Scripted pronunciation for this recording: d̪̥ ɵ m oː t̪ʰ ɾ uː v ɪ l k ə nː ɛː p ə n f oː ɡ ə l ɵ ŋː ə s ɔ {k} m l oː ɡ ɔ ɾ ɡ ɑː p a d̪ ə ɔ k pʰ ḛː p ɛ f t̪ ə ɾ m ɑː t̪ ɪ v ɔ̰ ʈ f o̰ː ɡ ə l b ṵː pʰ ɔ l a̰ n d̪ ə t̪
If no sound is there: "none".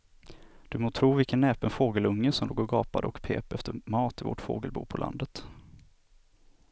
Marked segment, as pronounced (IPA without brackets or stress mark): none